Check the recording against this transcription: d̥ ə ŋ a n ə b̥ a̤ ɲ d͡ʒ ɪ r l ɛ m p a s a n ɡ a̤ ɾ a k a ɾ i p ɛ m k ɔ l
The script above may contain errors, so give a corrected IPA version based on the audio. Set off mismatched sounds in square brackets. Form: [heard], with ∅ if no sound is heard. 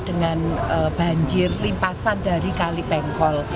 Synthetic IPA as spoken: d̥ ə ŋ a n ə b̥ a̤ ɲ d͡ʒ ɪ r l [i] m p a s a n [d] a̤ ɾ [i] k a [l] i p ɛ [ŋ] k ɔ l